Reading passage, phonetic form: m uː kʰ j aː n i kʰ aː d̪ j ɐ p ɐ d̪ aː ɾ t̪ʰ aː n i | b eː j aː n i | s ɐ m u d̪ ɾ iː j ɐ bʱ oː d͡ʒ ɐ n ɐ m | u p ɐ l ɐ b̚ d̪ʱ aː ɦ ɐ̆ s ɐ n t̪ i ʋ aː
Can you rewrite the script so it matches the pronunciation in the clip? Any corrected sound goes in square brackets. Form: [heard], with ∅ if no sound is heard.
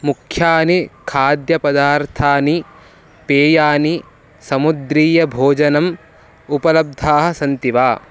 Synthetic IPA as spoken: m [u] kʰ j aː n i kʰ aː d̪ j ɐ p ɐ d̪ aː ɾ t̪ʰ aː n i | [p] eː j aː n i | s ɐ m u d̪ ɾ iː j ɐ bʱ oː d͡ʒ ɐ n ɐ m | u p ɐ l ɐ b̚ d̪ʱ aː ɦ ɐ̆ s ɐ n t̪ i ʋ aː

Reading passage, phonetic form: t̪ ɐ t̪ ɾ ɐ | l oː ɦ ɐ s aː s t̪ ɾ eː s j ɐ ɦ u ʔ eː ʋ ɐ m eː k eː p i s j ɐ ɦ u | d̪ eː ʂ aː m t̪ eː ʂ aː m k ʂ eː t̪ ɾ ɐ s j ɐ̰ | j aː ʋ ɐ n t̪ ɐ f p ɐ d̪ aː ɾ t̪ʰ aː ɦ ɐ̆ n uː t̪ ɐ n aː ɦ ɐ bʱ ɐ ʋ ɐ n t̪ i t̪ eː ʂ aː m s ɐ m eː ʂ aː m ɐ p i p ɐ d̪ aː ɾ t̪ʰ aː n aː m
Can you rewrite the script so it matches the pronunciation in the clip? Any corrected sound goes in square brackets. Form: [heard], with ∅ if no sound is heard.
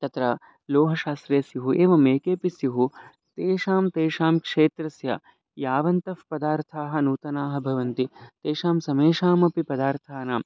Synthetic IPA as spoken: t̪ ɐ t̪ ɾ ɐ | l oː ɦ ɐ [ʃ] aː s t̪ ɾ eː s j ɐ ɦ u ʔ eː ʋ ɐ m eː k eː p i s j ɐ ɦ u | [t̪] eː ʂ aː m t̪ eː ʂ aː m k ʂ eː t̪ ɾ ɐ s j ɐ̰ | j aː ʋ ɐ n t̪ ɐ f p ɐ d̪ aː ɾ t̪ʰ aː ɦ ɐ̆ n uː t̪ ɐ n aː ɦ ɐ bʱ ɐ ʋ ɐ n t̪ i t̪ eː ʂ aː m s ɐ m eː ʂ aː m ɐ p i p ɐ d̪ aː ɾ t̪ʰ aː n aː m

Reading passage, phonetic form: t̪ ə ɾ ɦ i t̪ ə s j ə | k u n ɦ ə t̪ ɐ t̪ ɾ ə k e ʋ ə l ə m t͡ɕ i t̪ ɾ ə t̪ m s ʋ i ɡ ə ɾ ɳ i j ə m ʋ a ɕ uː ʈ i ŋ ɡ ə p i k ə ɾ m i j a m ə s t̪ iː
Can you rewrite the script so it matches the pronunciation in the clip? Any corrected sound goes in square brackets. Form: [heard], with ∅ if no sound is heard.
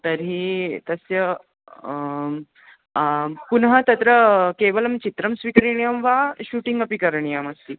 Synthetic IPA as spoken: t̪ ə ɾ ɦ i t̪ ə s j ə | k u n ɦ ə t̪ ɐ t̪ ɾ ə k e ʋ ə l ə m t͡ɕ i t̪ ɾ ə [∅] m s ʋ i [k] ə ɾ ɳ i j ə m ʋ a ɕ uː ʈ i ŋ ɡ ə p i k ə ɾ [ɳ] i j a m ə s t̪ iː

